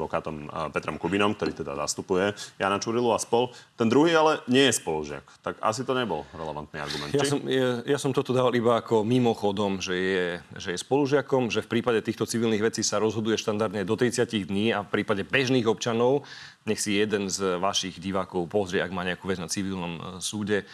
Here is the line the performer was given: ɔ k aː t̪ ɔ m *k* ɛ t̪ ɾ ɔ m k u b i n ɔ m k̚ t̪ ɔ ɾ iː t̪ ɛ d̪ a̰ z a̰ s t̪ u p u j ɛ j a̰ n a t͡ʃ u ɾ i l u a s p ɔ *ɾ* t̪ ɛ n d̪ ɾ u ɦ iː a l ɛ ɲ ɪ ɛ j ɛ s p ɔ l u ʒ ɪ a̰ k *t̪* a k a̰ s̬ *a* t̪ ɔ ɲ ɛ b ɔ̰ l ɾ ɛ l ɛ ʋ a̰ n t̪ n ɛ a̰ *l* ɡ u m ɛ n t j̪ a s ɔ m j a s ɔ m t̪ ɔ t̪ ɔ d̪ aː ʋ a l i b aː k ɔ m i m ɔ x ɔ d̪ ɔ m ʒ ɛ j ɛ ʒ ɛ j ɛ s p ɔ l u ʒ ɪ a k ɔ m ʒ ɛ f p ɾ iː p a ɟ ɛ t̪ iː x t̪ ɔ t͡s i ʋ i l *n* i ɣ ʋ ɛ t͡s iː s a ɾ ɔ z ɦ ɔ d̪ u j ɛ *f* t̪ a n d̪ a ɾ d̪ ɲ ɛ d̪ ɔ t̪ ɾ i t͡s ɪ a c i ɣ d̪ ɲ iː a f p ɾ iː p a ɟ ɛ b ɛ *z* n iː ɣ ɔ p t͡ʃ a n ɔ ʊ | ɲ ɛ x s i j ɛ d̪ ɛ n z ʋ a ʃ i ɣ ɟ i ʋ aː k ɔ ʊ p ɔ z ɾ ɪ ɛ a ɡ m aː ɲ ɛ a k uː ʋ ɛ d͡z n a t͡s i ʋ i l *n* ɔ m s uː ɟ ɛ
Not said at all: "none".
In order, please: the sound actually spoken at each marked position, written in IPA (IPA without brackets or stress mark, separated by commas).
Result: p, l, t̪, i, ɾ, n, ʃ, ʒ, n